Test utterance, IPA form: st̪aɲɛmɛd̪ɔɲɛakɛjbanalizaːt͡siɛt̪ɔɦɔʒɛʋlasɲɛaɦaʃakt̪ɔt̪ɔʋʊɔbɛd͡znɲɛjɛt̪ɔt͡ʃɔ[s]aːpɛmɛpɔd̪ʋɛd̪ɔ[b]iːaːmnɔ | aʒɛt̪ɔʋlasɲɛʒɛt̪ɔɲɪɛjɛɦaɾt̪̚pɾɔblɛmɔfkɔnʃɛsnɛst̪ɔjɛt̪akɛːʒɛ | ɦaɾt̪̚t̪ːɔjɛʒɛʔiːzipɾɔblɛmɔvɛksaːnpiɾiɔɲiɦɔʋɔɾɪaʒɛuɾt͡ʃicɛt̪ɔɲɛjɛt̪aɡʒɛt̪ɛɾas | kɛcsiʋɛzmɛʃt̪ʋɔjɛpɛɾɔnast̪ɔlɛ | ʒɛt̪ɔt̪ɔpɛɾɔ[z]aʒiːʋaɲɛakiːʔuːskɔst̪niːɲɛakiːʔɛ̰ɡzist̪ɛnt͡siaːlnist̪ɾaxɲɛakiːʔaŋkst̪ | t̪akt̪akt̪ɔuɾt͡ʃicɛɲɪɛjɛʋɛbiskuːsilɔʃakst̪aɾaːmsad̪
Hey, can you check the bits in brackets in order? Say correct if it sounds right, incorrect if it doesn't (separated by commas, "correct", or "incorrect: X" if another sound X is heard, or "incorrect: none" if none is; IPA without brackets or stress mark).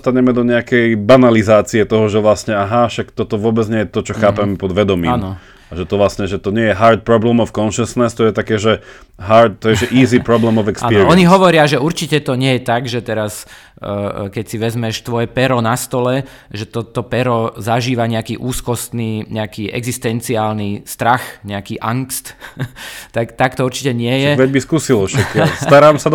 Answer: incorrect: x, incorrect: m, correct